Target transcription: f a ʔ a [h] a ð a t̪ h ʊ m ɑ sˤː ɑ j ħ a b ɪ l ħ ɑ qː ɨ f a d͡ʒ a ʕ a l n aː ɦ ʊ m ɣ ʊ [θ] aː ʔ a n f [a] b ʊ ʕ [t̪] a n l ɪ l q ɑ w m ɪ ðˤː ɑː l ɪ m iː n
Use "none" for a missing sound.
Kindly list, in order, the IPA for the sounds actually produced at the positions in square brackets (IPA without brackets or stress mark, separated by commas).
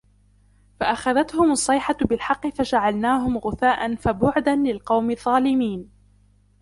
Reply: x, θ, a, d̪